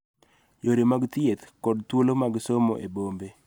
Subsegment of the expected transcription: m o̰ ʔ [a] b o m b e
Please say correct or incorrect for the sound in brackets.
incorrect